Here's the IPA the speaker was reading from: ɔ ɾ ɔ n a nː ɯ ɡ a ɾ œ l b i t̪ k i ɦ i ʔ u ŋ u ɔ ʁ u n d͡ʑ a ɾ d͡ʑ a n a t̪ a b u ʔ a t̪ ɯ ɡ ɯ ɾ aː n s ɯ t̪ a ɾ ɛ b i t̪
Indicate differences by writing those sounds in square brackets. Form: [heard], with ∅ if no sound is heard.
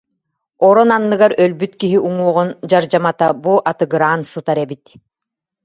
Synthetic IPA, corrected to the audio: ɔ ɾ ɔ n a nː ɯ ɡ a ɾ œ l b [y] t̪ k i ɦ i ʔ u ŋ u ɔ ʁ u n d͡ʑ a ɾ d͡ʑ a [m] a t̪ a b u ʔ a t̪ ɯ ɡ ɯ ɾ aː n s ɯ t̪ a ɾ ɛ b i t̪